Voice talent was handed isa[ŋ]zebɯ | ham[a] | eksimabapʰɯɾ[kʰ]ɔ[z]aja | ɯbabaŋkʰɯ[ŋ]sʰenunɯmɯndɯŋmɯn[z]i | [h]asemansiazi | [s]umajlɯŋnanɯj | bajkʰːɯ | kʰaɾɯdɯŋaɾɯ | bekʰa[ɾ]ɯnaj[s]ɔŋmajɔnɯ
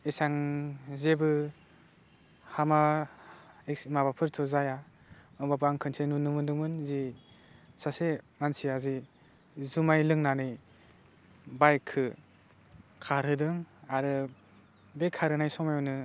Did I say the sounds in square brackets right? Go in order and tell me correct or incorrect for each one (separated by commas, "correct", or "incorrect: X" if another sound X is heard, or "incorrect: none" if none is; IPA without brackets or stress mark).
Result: correct, correct, incorrect: tʰ, correct, incorrect: n, correct, incorrect: s, incorrect: z, correct, correct